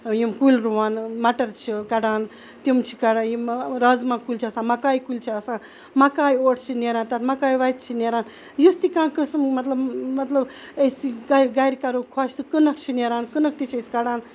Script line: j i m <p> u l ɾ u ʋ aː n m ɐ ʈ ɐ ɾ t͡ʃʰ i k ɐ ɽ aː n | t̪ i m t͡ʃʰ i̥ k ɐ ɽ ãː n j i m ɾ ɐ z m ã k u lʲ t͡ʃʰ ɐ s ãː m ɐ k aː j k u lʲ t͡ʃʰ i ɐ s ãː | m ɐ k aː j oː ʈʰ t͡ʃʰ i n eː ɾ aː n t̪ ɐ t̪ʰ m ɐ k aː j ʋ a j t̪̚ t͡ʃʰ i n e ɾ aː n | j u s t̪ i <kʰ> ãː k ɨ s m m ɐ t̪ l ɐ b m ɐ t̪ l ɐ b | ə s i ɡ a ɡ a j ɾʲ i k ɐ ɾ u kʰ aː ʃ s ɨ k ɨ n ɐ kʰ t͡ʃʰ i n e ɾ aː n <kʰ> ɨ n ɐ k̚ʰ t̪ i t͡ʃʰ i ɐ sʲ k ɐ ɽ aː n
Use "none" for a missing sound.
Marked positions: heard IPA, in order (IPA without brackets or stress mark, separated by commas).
k, k, k